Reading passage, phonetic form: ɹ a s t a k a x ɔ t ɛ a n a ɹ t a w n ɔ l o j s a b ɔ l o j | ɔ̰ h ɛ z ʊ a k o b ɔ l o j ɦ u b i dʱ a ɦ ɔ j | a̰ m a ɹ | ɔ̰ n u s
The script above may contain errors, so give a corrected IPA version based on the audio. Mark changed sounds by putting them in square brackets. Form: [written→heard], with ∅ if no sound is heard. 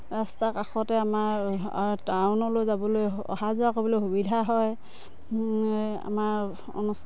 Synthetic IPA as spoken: ɹ a s t a k a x ɔ t ɛ a [n→m] a ɹ t a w n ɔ l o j [s→z] a b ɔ l o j | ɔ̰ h [ɛ→a] z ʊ a k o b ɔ l o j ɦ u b i dʱ a ɦ ɔ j | a̰ m a ɹ | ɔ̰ n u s